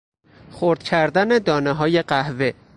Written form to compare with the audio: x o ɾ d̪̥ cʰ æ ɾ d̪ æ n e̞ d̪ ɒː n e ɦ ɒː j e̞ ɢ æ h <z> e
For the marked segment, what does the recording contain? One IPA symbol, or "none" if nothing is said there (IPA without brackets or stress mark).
v